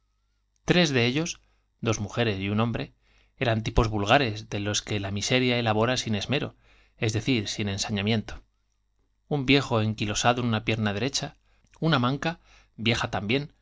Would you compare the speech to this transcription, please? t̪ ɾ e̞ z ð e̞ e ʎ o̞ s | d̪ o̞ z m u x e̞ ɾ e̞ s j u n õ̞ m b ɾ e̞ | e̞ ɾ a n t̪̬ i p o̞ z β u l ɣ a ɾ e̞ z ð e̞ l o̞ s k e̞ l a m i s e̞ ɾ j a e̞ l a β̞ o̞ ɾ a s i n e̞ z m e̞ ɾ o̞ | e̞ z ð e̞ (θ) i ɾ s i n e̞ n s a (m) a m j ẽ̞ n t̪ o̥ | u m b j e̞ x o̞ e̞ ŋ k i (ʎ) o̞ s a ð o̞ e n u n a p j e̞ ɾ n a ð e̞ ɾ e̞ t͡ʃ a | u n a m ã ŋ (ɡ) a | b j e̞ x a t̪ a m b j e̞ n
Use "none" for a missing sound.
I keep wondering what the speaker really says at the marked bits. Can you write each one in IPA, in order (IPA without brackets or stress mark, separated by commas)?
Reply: θ, ɲ, l, k